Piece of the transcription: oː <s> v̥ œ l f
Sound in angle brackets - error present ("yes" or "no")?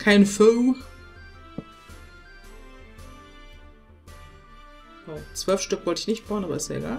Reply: yes